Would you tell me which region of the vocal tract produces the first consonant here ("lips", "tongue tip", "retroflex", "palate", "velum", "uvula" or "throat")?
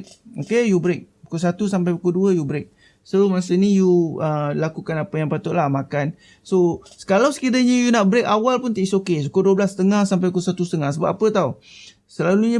velum